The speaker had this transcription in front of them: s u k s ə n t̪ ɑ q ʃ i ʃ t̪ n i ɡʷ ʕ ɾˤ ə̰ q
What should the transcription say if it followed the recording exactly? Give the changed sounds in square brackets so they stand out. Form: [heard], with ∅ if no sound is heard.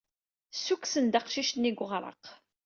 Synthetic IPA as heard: s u k s ə n [d̪] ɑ q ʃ i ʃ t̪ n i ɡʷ [ʁ] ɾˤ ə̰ q